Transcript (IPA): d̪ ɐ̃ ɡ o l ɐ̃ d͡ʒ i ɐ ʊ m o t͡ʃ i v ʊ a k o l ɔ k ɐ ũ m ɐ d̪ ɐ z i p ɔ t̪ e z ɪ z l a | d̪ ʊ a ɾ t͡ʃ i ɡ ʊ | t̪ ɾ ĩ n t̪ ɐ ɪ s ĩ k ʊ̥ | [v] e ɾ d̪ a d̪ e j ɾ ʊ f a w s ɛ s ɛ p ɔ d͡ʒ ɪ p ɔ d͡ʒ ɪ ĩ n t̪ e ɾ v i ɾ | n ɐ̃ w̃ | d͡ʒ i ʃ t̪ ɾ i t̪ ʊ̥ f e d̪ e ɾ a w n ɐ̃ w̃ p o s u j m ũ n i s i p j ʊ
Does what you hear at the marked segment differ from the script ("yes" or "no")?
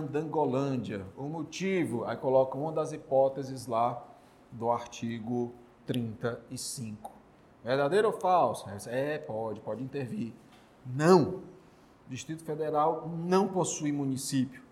no